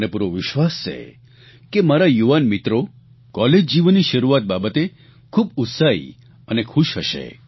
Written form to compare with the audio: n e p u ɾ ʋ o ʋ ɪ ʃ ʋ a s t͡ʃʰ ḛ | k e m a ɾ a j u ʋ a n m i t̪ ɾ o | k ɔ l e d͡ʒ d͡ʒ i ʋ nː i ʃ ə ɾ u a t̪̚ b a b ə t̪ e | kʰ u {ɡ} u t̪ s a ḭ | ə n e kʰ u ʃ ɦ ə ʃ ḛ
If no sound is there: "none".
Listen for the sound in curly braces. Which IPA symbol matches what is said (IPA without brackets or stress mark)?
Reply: b